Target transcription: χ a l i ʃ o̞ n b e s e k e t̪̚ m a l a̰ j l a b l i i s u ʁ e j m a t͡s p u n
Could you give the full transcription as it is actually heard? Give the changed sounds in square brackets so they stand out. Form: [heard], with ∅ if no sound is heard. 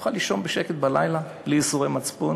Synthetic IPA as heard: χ a l i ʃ o̞ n b e [ʃ] e k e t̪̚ [b] a l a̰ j l a b l i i s u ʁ e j m a t͡s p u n